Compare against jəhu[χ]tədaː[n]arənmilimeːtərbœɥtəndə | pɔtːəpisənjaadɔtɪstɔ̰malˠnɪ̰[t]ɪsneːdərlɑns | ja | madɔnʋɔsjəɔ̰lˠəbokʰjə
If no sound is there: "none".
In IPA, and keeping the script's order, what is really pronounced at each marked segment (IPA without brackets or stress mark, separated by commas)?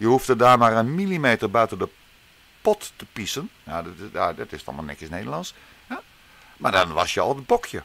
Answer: f, m, k